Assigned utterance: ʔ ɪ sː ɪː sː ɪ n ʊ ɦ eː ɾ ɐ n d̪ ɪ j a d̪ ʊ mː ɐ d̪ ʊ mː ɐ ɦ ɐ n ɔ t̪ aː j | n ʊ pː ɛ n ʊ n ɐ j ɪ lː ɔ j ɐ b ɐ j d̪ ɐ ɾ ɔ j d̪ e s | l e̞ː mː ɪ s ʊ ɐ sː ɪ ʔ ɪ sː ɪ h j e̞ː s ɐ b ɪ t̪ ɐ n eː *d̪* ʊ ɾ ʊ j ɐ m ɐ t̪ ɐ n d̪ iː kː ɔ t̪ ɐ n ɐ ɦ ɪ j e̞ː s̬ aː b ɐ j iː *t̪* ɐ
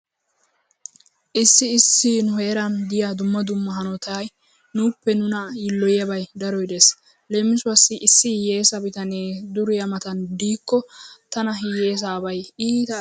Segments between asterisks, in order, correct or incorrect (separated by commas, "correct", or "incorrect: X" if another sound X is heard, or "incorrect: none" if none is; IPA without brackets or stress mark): correct, correct